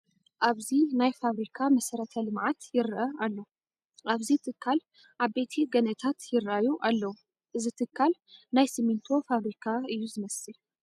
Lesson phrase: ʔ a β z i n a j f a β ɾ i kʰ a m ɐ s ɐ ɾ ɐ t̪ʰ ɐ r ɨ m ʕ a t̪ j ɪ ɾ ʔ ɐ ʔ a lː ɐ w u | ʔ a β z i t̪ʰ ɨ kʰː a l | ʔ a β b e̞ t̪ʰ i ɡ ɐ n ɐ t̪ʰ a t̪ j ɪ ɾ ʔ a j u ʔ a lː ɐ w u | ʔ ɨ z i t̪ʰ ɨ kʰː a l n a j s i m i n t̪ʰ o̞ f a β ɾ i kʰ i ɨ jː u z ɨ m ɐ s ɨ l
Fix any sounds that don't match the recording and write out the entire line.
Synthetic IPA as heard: ʔ a β z i n a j f a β ɾ i kʰ a m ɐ s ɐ ɾ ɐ t̪ʰ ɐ l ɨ m ʕ a t̪ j ɪ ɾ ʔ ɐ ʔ a lː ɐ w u | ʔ a β z i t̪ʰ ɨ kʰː a l | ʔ a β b e̞ t̪ʰ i ɡ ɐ n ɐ t̪ʰ a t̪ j ɪ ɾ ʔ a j u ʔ a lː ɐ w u | ʔ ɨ z i t̪ʰ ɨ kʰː a l n a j s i m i n t̪ʰ o̞ f a β ɾ i kʰ a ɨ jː u z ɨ m ɐ s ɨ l

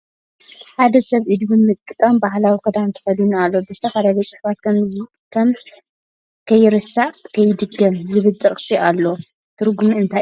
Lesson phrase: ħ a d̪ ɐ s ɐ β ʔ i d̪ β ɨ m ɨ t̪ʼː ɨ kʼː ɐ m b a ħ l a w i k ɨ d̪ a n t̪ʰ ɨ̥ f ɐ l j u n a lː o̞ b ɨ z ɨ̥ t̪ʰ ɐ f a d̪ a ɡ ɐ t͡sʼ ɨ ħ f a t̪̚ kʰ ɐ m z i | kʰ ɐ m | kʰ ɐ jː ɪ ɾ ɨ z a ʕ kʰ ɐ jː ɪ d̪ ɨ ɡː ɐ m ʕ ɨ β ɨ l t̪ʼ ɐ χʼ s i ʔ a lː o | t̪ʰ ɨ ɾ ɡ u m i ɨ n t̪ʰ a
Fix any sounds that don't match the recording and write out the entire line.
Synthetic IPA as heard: ħ a d̪ ɐ s ɐ β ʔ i d̪ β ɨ m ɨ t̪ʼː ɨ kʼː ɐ m b a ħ l a w i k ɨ d̪ a n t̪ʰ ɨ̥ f ɐ l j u n a lː o̞ b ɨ z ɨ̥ t̪ʰ ɐ f a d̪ a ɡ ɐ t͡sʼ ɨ ħ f a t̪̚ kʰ ɐ m z i | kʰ ɐ m | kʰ ɐ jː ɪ ɾ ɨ s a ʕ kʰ ɐ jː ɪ d̪ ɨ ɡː ɐ m z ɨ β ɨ l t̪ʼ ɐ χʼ s i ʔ a lː o | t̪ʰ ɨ ɾ ɡ u m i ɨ n t̪ʰ a

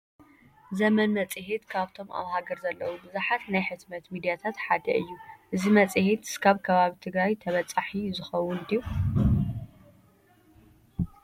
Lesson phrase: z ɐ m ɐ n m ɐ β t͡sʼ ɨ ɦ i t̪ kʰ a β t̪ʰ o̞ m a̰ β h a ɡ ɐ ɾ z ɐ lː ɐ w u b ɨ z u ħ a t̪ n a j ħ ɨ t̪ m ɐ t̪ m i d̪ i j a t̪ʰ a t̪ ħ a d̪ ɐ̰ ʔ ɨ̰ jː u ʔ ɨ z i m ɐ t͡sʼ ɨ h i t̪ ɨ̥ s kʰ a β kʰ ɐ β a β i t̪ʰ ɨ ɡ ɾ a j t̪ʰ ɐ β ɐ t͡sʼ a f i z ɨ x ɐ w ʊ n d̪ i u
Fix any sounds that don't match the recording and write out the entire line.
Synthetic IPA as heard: z ɐ m ɐ n m ɐ t͡sʼ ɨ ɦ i t̪ kʰ a β t̪ʰ o̞ m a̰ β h a ɡ ɐ ɾ z ɐ lː ɐ w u b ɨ z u ħ a t̪ n a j ħ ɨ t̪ m ɐ t̪ m i d̪ i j a t̪ʰ a t̪ ħ a d̪ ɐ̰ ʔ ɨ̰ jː u ʔ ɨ z i m ɐ t͡sʼ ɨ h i t̪ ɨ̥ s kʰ a β kʰ ɐ β a β i t̪ʰ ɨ ɡ ɾ a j t̪ʰ ɐ β ɐ t͡sʼ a ħ i z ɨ x ɐ w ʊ n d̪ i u

